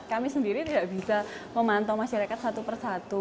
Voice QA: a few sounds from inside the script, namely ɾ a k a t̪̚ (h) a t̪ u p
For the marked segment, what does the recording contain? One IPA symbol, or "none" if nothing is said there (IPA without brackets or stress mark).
s